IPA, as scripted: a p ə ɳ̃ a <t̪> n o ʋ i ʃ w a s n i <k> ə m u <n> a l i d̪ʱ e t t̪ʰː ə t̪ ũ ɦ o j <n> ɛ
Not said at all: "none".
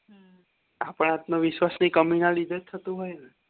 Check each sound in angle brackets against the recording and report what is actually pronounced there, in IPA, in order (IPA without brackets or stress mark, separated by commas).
t̪, k, n, n